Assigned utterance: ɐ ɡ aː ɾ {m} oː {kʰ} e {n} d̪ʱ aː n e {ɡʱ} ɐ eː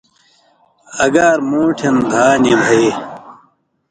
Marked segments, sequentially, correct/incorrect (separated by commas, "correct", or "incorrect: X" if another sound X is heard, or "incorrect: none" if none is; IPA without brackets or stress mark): correct, incorrect: ʈʰ, correct, incorrect: bʱ